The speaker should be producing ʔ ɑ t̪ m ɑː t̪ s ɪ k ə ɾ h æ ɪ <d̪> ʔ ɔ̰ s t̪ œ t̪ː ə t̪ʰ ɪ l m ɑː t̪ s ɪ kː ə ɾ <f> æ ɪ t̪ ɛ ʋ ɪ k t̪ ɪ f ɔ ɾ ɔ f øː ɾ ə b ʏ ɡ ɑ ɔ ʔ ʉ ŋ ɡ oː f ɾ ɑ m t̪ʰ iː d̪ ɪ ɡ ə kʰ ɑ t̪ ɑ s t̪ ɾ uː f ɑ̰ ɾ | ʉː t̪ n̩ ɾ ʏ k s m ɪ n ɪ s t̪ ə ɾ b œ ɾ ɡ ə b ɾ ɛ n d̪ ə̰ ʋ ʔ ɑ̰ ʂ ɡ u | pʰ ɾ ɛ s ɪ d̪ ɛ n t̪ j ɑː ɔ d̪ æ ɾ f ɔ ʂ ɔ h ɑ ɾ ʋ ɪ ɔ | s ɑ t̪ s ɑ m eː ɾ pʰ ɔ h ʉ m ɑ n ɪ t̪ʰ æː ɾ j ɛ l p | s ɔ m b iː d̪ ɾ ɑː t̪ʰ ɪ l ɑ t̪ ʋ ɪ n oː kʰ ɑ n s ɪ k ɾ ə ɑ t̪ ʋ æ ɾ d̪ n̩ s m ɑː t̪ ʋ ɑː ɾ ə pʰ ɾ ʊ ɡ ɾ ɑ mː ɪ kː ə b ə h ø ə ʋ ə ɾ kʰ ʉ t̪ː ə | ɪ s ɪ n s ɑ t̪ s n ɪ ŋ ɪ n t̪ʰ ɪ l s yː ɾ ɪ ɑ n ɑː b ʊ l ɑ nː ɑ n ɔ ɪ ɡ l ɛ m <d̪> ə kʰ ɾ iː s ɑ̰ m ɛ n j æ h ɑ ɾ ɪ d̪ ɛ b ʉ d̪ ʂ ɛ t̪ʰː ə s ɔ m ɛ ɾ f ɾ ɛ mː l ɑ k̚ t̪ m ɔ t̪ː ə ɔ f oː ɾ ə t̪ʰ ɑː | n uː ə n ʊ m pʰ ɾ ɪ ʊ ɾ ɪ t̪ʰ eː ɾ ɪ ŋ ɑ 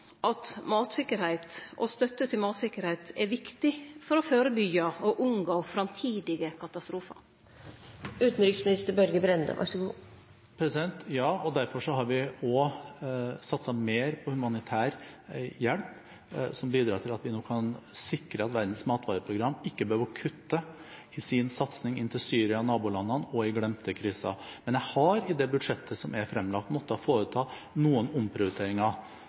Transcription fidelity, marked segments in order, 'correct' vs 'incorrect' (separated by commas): incorrect, incorrect, incorrect